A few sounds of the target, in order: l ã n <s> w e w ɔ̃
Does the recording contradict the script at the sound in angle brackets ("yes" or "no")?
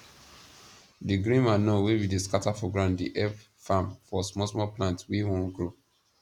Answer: yes